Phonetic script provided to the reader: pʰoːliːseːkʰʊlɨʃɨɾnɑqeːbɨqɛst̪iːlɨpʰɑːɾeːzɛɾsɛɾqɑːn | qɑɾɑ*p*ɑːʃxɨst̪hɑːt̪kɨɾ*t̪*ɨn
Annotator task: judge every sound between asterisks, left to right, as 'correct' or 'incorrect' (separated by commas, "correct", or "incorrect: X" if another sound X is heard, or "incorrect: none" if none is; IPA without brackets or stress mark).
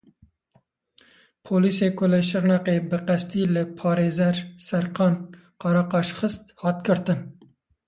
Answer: incorrect: q, correct